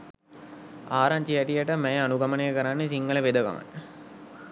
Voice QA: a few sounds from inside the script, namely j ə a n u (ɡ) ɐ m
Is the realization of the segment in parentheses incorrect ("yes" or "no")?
no